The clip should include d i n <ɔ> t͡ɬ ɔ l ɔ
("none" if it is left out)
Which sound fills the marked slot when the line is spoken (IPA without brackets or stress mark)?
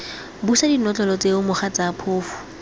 ɔ